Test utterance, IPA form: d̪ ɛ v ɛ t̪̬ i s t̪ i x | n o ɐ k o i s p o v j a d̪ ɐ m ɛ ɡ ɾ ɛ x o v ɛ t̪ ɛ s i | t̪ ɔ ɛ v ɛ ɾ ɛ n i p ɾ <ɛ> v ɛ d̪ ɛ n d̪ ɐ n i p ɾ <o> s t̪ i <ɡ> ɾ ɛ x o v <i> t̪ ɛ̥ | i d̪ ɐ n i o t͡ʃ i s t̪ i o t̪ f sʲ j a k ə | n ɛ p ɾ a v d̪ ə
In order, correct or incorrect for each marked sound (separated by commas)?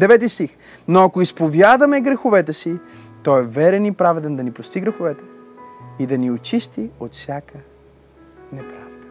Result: incorrect, correct, correct, incorrect